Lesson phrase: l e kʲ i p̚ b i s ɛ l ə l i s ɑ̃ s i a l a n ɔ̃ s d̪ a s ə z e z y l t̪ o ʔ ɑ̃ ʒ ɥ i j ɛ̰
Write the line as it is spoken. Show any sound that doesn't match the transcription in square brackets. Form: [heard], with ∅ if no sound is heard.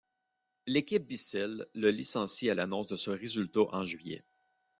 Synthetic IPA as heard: l e kʲ i p̚ b i s ɛ [lː] ə l i s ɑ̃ s i a l a n ɔ̃ s d̪ [ə] s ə [ʁ] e z y l t̪ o ʔ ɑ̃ ʒ ɥ i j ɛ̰